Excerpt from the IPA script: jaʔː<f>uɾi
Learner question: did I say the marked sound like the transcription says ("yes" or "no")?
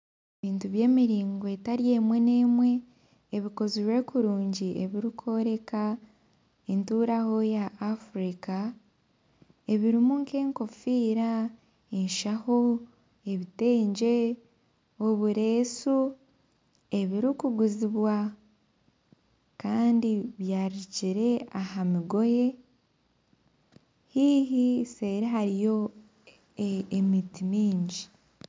yes